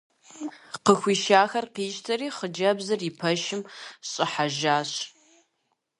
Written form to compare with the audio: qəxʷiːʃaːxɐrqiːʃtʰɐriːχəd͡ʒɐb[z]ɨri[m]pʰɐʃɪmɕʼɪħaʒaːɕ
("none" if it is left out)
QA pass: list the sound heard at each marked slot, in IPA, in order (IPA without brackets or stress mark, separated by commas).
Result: z, none